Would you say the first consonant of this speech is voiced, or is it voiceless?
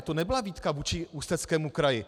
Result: voiceless